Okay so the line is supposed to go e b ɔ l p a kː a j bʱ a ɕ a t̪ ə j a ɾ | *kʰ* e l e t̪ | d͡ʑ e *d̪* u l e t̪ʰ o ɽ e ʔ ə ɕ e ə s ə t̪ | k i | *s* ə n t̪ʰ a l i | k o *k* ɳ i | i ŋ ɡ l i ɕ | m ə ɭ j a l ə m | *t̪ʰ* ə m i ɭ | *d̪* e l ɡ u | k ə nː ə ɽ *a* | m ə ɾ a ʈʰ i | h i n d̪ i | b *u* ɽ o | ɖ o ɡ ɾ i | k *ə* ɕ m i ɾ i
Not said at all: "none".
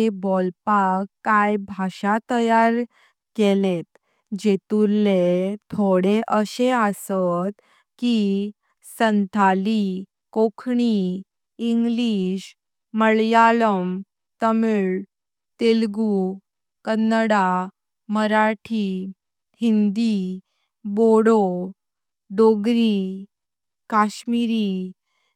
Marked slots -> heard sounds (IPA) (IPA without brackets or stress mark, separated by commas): k, t̪, s, kʰ, t̪, t̪, a, o, a